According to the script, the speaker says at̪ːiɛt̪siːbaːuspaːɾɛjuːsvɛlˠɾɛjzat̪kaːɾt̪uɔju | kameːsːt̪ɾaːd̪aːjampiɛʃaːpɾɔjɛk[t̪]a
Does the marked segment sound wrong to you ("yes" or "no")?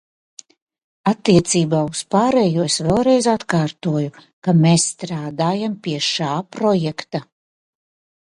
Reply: no